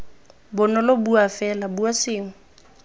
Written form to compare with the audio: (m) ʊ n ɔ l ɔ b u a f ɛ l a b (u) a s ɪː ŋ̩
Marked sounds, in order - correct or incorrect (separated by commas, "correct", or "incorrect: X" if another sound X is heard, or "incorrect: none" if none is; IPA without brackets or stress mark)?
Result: incorrect: b, correct